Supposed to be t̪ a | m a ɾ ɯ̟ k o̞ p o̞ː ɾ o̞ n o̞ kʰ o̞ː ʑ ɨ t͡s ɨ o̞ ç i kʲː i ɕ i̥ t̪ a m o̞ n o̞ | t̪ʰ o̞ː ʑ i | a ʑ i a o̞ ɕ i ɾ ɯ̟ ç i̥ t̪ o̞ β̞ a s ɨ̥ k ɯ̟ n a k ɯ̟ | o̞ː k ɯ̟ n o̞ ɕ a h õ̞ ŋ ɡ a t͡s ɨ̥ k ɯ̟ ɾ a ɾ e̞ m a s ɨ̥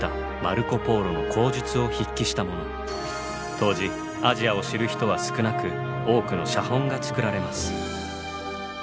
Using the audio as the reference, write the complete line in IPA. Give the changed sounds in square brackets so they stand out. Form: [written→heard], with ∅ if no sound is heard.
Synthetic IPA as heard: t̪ a | m a ɾ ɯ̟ k o̞ p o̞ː ɾ o̞ n o̞ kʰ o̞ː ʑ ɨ t͡s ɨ o̞ ç i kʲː i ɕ i̥ t̪ a m o̞ n o̞ | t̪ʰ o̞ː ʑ i | a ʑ i a o̞ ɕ i ɾ ɯ̟ ç i̥ t̪ o̞ β̞ a s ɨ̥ k ɯ̟ n a k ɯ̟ | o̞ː k ɯ̟ n o̞ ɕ a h õ̞ ŋ ɡ a t͡s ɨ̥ k ɯ̟ ɾ a ɾ e̞ m a s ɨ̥